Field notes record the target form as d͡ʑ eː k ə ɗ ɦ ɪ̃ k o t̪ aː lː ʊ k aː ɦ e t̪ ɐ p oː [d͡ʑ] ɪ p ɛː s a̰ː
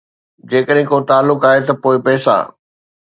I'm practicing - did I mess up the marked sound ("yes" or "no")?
yes